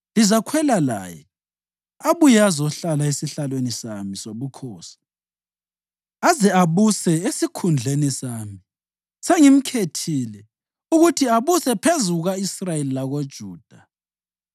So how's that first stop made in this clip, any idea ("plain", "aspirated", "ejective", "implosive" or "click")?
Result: aspirated